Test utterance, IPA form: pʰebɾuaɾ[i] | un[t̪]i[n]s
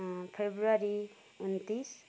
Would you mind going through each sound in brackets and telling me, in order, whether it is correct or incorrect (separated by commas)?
correct, correct, incorrect